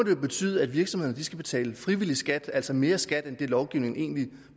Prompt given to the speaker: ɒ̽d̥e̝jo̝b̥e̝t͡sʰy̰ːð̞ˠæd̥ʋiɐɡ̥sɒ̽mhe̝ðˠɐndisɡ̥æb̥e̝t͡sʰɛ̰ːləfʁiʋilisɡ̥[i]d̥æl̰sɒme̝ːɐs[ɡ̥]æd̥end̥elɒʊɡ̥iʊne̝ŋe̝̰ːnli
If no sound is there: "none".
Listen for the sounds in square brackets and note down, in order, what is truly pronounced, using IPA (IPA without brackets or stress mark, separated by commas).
æ, ɡ̥